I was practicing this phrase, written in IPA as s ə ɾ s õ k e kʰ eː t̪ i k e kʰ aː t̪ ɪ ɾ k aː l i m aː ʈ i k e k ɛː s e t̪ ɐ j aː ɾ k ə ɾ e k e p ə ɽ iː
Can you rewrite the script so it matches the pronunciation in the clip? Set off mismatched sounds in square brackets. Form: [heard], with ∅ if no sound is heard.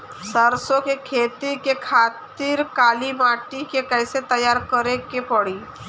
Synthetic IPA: s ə ɾ s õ k e kʰ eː t̪ i k e kʰ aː t̪ ɪ ɾ k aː l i m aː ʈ i k e k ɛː s e t̪ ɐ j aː ɾ k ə ɾ e k e p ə ɽ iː